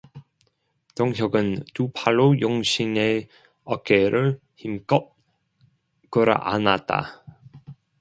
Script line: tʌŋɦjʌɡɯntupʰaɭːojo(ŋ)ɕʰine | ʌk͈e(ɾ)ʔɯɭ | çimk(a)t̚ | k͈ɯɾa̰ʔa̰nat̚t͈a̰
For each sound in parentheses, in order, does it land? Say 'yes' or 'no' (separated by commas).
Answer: yes, yes, no